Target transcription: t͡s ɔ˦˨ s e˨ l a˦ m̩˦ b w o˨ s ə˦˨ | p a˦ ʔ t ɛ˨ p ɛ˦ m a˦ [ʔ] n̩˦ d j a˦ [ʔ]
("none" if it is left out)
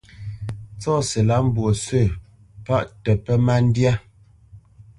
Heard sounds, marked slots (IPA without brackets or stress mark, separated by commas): none, none